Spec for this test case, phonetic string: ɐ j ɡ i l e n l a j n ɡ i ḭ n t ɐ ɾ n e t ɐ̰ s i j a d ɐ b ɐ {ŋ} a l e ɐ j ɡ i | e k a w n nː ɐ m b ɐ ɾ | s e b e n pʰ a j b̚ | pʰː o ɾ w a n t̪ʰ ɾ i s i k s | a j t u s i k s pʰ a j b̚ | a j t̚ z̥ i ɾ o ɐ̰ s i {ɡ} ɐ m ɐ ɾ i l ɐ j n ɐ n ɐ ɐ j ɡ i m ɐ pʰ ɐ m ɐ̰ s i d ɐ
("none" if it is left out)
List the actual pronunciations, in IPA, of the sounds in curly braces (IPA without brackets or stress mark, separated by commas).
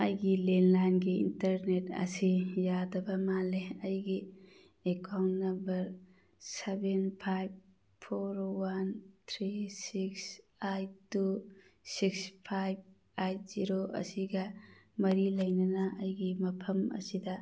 m, ɡ